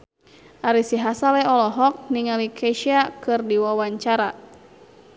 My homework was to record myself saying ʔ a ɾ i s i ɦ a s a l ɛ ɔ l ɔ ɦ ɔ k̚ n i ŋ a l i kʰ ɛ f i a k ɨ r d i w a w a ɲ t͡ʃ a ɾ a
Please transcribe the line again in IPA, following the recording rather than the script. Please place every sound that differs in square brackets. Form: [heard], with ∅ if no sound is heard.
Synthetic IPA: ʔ a ɾ i s i ɦ a s a l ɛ ɔ l ɔ ɦ ɔ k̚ n i ŋ a l i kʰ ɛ [ʃ] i a k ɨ r d i w a w a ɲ t͡ʃ a ɾ a